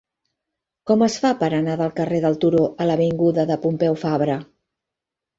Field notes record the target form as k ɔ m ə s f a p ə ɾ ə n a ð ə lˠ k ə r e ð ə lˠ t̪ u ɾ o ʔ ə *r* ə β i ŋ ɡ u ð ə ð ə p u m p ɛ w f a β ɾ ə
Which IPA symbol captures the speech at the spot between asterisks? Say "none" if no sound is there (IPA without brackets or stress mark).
l